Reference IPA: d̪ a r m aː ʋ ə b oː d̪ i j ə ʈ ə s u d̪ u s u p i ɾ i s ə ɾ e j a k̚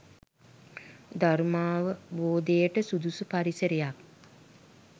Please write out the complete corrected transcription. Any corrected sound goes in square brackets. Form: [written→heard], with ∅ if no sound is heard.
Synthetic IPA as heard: d̪ a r m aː ʋ ə b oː d̪ [i→e] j ə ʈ ə s u d̪ u s u p [i→a] ɾ i s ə ɾ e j a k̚